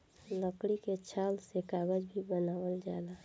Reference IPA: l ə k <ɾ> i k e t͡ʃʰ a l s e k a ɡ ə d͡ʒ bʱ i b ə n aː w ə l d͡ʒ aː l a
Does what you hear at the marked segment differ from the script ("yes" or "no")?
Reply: yes